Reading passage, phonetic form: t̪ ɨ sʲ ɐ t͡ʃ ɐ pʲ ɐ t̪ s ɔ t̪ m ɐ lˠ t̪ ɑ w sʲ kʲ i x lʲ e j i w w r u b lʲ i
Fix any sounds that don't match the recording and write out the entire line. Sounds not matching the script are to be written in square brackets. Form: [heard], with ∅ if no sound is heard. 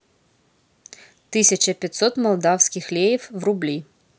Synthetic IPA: t̪ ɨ sʲ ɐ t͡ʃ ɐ pʲ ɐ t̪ s ɔ t̪ m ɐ lˠ [d̪] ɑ w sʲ kʲ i x lʲ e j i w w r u b lʲ i